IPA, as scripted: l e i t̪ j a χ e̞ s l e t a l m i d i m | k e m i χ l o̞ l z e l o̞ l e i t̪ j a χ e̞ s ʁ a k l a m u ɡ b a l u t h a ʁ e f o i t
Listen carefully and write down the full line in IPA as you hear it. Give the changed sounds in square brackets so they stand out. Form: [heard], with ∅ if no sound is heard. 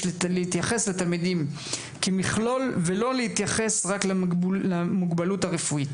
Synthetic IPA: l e i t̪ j a χ e̞ s l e t a l m i d i m | k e m i χ l o̞ l [v] e l o̞ l e i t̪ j a χ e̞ s ʁ a k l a m u ɡ b a l u t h a ʁ e f [u] i t